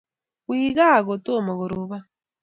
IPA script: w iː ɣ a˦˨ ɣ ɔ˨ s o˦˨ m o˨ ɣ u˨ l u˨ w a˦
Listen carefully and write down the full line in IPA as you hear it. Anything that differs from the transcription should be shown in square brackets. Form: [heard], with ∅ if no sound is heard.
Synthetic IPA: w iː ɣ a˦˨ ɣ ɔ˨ [t] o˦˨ m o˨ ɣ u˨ [ɾ] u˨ [β] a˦